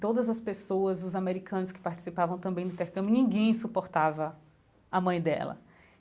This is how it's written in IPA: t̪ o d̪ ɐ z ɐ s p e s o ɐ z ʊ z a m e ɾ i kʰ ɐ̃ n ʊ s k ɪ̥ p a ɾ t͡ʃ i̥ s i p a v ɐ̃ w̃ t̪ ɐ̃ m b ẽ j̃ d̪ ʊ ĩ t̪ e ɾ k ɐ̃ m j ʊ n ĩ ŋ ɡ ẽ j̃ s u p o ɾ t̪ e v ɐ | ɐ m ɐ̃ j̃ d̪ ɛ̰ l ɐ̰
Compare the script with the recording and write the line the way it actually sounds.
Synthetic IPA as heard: t̪ o d̪ ɐ z ɐ s p e s o ɐ z ʊ z a m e ɾ i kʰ ɐ̃ n ʊ s k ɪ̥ p a ɾ t͡ʃ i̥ s i p a v ɐ̃ w̃ t̪ ɐ̃ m b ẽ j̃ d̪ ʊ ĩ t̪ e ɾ k ɐ̃ m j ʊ n ĩ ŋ ɡ ẽ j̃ s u p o ɾ t̪ a v ɐ | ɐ m ɐ̃ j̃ d̪ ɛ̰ l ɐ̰